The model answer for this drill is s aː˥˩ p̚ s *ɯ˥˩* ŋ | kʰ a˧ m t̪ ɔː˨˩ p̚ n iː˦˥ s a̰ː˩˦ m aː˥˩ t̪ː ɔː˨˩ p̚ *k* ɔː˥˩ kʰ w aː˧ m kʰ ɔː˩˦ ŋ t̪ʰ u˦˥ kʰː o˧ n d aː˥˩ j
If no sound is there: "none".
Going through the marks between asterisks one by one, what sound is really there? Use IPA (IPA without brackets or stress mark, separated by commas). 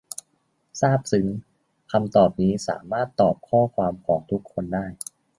ɯ˩˦, kʰ